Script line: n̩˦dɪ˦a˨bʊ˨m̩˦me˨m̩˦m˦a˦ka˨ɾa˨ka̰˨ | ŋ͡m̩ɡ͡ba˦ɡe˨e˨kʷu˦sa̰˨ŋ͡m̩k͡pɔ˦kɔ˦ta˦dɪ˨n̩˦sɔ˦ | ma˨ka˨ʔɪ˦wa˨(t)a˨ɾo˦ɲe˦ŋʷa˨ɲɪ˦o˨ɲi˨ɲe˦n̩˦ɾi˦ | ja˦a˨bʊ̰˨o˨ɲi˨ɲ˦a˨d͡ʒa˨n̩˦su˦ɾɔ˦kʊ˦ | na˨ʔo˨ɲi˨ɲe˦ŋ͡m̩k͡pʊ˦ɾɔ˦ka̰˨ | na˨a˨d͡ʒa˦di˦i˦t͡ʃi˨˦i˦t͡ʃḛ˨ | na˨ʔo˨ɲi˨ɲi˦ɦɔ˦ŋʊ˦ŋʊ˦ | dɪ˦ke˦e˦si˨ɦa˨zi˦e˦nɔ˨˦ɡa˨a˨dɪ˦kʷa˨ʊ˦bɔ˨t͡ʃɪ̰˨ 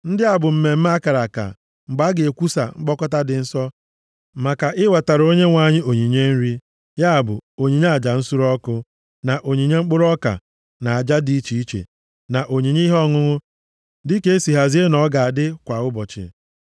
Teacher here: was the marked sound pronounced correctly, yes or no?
yes